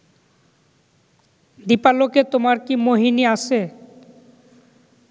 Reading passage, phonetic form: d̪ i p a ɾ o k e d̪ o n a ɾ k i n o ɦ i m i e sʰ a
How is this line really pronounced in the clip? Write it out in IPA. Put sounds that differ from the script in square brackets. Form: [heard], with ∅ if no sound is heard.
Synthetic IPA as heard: d̪ i p a [l] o k e [t̪] o [m] a ɾ k i [m] o ɦ i [n] i [a] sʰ [e]